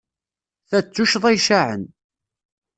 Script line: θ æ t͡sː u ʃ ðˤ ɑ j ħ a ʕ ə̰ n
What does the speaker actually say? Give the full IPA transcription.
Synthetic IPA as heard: θ æ t͡sː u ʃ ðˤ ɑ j ʃ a ʕ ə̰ n